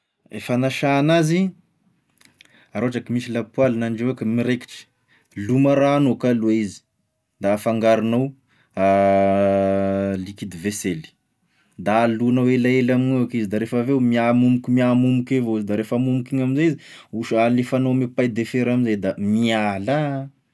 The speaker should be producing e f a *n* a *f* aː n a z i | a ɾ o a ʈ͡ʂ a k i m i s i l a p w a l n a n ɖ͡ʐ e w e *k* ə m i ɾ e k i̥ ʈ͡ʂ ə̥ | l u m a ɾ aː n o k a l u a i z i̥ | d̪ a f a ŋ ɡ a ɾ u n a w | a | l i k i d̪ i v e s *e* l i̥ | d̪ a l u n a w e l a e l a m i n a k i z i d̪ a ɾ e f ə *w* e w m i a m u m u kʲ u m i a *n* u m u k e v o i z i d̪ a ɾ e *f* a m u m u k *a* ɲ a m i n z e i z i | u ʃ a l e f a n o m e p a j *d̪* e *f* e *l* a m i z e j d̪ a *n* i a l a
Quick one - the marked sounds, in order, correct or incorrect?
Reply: correct, incorrect, correct, correct, incorrect, incorrect, correct, incorrect, correct, correct, incorrect, incorrect

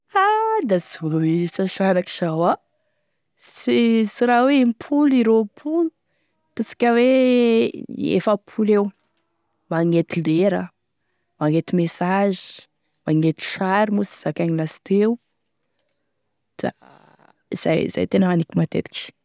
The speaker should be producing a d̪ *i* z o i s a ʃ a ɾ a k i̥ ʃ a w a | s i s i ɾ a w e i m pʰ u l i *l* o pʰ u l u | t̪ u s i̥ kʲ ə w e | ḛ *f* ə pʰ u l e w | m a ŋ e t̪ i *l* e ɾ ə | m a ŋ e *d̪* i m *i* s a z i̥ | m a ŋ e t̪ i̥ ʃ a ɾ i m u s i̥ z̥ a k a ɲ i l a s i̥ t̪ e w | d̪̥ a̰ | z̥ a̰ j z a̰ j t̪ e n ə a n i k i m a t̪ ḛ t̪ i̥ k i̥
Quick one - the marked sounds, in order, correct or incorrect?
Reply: incorrect, incorrect, correct, correct, incorrect, incorrect

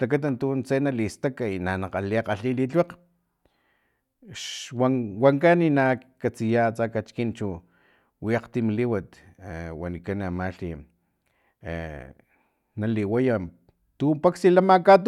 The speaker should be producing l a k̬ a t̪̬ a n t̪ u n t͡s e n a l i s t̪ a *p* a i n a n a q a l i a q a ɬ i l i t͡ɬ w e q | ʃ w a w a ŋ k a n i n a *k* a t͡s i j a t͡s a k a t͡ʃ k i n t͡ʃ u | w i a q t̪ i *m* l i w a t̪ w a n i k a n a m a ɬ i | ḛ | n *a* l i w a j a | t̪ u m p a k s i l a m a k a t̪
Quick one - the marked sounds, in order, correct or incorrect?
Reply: incorrect, correct, correct, correct

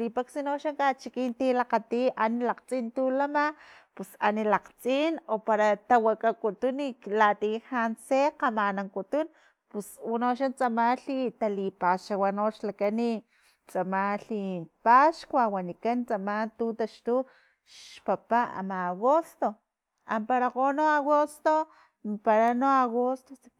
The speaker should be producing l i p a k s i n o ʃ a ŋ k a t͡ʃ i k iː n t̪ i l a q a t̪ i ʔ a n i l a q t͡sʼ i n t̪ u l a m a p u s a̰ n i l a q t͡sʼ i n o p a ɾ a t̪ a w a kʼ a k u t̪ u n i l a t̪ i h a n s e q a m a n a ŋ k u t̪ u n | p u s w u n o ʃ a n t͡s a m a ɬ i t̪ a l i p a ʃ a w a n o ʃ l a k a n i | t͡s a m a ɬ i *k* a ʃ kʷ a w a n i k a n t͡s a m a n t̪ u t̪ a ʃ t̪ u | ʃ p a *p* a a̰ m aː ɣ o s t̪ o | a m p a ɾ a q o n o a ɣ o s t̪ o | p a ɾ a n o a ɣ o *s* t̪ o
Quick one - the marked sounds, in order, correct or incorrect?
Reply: incorrect, correct, correct

